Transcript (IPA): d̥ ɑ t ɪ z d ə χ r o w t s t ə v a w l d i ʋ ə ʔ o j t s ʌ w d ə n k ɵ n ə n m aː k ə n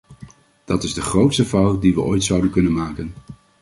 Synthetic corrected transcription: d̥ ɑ t ɪ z d ə χ r o w t s t ə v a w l d i ʋ ə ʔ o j t s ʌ w d ə n k ɵ n ə n m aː k ə n